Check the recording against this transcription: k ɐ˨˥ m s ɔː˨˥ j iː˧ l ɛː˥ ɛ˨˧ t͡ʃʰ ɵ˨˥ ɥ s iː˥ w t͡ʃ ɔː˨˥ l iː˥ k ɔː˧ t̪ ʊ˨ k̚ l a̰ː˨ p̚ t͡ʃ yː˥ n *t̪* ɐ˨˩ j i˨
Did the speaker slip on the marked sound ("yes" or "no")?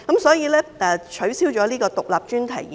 yes